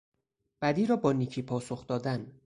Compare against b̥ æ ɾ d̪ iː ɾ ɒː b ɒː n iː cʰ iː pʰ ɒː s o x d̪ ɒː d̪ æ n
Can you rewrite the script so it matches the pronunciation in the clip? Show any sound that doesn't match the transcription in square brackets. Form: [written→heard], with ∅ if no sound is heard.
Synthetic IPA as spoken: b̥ æ [ɾ→∅] d̪ iː ɾ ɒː b ɒː n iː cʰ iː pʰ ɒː s o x d̪ ɒː d̪ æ n